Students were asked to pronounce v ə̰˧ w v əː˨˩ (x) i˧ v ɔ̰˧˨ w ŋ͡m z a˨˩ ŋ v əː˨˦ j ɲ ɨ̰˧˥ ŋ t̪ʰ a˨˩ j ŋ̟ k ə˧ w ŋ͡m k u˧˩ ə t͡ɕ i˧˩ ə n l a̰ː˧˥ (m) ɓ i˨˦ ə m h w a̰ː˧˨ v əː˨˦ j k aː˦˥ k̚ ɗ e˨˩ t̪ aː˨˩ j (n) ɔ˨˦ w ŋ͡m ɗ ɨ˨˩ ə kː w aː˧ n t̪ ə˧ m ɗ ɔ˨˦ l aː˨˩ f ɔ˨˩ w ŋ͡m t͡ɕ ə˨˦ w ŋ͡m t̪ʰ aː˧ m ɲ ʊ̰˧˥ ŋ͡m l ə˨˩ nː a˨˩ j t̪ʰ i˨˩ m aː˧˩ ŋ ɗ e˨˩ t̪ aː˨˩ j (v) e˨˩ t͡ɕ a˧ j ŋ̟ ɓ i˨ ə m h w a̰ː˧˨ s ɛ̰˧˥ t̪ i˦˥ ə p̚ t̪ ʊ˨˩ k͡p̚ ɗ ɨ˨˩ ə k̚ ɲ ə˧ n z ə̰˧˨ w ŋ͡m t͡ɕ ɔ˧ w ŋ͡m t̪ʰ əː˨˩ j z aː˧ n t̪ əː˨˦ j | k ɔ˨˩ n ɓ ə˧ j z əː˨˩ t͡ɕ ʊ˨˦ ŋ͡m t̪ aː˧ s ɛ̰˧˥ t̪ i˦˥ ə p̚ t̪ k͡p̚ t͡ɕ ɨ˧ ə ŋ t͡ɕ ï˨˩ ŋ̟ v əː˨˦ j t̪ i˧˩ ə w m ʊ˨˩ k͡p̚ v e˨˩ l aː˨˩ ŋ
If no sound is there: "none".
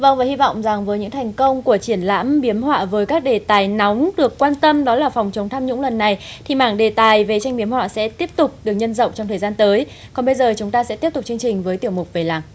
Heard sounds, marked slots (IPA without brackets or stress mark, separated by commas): h, m, n, v